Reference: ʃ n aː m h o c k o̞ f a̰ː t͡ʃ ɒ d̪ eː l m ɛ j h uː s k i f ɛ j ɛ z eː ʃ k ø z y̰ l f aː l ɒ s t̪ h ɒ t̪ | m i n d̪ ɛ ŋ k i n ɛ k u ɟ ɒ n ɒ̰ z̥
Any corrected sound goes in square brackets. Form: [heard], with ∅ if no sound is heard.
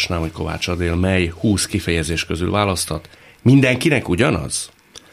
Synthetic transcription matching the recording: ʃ n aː m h o c k o̞ [v] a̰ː t͡ʃ ɒ d̪ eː l m ɛ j h uː s k i f ɛ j ɛ z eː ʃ k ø z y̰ l [v] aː l ɒ s t̪ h ɒ t̪ | m i n d̪ ɛ ŋ k i n ɛ k u ɟ ɒ n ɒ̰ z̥